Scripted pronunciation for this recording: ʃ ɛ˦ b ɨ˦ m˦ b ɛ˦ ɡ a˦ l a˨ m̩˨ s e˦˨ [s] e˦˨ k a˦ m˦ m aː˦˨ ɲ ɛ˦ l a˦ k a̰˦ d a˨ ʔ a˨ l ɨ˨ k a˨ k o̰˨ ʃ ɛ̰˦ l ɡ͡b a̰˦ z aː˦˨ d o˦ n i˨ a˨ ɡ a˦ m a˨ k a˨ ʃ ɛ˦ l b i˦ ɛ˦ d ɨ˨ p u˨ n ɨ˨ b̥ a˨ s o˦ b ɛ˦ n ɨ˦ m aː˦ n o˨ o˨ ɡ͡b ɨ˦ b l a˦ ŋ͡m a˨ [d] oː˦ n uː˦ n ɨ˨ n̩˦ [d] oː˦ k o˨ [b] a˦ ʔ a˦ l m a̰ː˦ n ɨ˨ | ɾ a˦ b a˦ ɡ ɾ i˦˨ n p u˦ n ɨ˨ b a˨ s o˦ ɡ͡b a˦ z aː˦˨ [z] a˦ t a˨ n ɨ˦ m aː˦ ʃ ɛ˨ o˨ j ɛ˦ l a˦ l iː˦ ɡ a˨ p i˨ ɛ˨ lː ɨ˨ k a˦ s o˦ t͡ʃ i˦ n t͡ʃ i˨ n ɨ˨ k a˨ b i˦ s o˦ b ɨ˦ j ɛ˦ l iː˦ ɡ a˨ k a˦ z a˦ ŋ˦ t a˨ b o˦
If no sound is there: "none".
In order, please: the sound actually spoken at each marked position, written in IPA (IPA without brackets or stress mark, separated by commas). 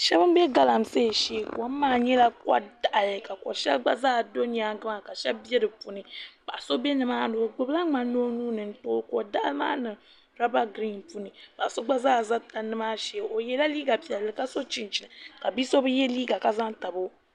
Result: ʃ, n, t, d, z